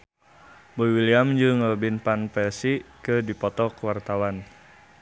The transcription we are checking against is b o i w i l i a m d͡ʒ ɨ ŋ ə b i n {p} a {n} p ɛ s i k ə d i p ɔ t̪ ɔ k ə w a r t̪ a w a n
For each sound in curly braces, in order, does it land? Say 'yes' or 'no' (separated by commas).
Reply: yes, yes